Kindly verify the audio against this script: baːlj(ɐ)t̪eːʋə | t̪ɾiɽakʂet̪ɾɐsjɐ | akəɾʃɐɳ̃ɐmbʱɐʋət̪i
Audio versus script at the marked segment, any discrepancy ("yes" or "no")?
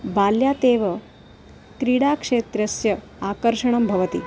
yes